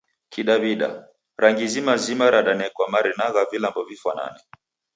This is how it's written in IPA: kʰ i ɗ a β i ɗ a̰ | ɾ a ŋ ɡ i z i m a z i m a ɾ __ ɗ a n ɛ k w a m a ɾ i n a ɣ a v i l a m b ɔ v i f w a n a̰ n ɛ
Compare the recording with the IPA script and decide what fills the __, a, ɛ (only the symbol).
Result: a